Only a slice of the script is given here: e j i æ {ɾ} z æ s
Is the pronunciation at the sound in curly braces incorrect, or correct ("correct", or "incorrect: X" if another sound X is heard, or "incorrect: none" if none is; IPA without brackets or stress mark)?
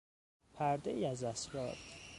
incorrect: none